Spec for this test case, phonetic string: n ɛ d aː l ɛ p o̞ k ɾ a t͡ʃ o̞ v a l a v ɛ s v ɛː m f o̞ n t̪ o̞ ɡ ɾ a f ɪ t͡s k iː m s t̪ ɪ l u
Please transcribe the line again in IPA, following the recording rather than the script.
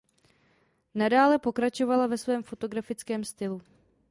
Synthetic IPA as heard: n a d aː l ɛ p o̞ k ɾ a t͡ʃ o̞ v a l a v ɛ s v ɛː m f o̞ t̪ o̞ ɡ ɾ a f ɪ t͡s k ɛː m s t̪ ɪ l u

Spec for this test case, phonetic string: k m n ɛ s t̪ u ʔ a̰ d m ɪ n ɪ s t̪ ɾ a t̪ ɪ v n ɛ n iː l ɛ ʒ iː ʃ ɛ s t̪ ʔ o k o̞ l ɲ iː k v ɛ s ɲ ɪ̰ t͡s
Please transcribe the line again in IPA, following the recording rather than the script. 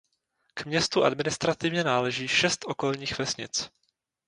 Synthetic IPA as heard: k m ɲ ɛ s t̪ u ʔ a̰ d m ɪ n ɪ s t̪ ɾ a t̪ ɪ v ɲ ɛ n aː l ɛ ʒ iː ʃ ɛ s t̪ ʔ o k o̞ l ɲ iː x v ɛ s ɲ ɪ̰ t͡s

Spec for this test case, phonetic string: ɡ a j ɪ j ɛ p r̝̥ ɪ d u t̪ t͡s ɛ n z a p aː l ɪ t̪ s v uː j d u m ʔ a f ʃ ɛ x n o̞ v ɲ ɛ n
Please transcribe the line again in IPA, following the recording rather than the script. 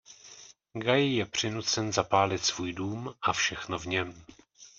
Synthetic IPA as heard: ɡ a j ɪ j ɛ p r̝̥ ɪ n u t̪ t͡s ɛ n z a p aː l ɪ t̪ s v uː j d uː m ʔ a f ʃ ɛ x n o̞ v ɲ ɛ m

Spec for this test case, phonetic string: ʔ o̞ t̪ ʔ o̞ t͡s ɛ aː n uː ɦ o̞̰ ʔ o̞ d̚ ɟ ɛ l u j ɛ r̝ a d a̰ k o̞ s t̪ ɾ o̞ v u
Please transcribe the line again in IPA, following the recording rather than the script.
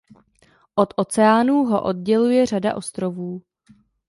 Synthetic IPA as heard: ʔ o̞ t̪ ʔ o̞ t͡s ɛ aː n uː ɦ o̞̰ ʔ o̞ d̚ ɟ ɛ l u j ɛ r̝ a d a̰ ʔ o̞ s t̪ ɾ o̞ v uː

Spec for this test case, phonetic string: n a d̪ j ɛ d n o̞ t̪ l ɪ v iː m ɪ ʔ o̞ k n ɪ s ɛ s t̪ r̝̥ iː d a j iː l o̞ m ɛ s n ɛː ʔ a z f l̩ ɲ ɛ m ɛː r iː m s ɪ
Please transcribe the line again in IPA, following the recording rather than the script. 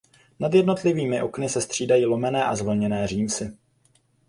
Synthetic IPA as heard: n a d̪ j ɛ d n o̞ t̪ l ɪ v iː m ɪ ʔ o̞ k n ɪ s ɛ s t̪ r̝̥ iː d a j iː l o̞ m ɛ n ɛː ʔ a z v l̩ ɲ ɛ n ɛː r iː m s ɪ

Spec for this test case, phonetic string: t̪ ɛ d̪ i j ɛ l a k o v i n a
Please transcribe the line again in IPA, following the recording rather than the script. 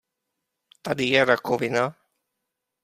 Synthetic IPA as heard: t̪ a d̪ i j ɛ ɾ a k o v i n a

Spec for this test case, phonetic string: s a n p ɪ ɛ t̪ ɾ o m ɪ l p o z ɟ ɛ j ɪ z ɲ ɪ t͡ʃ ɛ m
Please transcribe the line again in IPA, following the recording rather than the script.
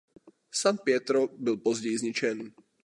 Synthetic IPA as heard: s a n p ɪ ɛ t̪ ɾ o b ɪ l p o z ɟ ɛ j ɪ z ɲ ɪ t͡ʃ ɛ n

